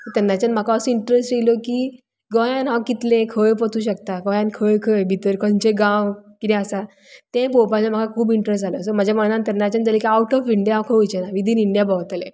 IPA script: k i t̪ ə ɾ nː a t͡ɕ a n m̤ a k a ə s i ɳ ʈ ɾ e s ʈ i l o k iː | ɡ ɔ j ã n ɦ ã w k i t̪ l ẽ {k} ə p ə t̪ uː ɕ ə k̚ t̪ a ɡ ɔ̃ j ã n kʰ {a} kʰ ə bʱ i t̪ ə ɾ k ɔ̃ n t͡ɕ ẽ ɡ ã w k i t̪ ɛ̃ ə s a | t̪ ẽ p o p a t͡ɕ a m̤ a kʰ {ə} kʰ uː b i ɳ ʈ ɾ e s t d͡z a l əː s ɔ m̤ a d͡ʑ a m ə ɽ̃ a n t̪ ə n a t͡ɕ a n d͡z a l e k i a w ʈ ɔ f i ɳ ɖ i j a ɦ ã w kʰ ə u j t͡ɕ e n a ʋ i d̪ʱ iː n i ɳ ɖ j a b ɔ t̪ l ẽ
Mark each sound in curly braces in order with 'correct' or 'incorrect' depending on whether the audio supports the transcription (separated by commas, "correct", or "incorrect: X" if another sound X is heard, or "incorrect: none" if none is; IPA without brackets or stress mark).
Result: incorrect: kʰ, incorrect: ə, incorrect: a